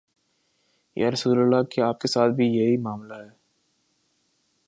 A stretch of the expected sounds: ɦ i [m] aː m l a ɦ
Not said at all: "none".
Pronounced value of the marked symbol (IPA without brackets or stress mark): m